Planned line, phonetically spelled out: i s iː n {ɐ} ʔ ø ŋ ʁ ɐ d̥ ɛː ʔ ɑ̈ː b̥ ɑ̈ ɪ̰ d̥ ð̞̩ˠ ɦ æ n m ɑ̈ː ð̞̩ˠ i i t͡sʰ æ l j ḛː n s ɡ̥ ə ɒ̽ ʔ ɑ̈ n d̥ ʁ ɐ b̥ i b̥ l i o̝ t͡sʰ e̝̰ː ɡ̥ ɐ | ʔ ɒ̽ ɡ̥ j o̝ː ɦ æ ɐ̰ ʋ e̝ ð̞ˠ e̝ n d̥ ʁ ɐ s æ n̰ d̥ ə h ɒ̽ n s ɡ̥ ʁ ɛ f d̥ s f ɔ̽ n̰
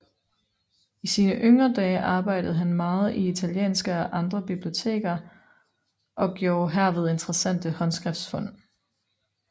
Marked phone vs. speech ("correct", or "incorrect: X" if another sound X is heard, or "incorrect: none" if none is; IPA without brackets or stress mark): incorrect: ə